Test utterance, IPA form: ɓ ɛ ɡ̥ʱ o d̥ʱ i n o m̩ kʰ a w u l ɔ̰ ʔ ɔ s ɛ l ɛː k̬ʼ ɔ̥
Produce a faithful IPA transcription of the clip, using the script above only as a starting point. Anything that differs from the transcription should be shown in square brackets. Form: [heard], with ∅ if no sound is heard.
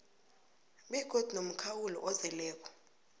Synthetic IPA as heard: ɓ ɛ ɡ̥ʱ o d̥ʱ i n o m̩ kʰ a w u l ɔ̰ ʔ ɔ [z] ɛ l ɛː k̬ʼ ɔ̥